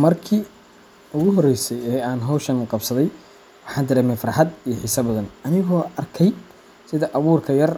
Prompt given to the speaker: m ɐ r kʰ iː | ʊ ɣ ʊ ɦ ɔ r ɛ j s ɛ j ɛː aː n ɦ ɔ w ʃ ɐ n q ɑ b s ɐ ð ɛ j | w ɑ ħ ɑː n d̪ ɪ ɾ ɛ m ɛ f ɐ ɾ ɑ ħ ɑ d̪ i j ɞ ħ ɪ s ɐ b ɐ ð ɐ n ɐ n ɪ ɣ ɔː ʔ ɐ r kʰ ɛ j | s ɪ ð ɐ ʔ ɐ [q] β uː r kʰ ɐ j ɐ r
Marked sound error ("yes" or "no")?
yes